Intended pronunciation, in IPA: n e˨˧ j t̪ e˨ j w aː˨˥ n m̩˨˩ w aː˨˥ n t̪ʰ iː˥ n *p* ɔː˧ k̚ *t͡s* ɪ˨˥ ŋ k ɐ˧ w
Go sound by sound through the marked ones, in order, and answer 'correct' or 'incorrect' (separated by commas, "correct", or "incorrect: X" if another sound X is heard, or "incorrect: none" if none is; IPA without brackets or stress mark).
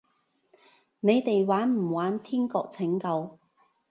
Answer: incorrect: k, incorrect: t͡sʰ